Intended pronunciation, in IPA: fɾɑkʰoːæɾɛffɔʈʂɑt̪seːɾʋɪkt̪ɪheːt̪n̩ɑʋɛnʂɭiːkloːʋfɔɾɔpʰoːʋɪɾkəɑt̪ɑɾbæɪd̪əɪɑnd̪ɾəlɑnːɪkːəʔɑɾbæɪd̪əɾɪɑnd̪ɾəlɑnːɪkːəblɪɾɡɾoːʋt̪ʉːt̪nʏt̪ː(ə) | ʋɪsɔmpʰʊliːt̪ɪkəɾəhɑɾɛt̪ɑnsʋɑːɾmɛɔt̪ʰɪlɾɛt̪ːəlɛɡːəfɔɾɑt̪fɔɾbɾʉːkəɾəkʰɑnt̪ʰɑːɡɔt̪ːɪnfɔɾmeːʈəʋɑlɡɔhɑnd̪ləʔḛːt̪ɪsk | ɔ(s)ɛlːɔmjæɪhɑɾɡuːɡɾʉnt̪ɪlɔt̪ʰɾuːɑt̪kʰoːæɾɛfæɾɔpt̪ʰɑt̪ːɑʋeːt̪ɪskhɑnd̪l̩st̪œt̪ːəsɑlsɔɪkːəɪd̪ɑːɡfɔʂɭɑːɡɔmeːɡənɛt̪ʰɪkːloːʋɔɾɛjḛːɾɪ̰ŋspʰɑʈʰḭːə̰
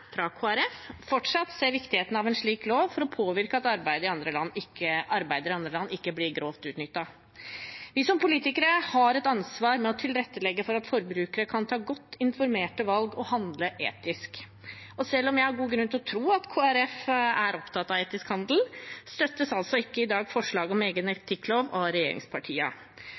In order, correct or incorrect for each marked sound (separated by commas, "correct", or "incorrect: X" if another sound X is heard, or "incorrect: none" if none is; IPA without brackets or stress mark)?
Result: incorrect: ɑ, correct